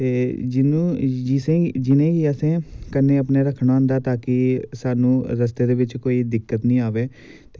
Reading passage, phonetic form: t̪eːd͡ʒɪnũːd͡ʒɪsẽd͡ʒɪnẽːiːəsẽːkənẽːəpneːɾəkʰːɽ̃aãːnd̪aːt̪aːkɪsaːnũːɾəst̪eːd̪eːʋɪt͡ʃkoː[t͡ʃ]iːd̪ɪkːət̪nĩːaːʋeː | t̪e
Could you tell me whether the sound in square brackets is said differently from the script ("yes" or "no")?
yes